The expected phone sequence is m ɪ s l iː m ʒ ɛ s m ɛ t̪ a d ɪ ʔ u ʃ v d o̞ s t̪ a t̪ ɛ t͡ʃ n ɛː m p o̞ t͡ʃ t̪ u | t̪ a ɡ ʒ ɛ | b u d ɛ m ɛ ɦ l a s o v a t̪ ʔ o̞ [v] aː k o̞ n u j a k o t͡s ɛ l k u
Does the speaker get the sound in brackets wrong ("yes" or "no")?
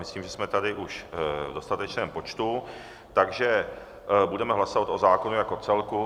yes